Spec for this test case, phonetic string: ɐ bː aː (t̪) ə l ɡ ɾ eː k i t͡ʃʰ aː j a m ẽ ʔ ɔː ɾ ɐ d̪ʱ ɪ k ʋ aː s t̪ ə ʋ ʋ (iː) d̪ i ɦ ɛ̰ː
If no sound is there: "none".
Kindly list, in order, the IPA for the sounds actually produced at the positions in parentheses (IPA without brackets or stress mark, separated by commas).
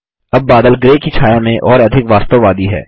d̪, aː